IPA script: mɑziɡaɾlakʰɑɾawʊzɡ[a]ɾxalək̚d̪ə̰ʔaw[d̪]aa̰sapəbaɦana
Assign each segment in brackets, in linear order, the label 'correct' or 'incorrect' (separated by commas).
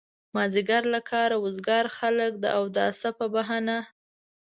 incorrect, correct